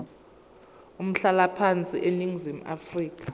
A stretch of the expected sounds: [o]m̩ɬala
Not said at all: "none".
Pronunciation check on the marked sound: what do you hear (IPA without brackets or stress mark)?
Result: u